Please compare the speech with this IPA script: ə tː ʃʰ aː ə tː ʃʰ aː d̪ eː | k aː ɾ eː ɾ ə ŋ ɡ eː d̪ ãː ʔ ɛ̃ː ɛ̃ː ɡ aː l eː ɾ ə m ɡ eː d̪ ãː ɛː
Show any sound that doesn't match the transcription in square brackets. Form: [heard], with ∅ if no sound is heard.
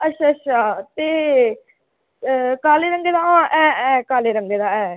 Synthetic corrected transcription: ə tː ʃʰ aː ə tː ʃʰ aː [t̪] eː | k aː [l] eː ɾ ə ŋ ɡ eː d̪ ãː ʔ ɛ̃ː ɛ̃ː [k] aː l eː ɾ ə [ŋ] ɡ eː d̪ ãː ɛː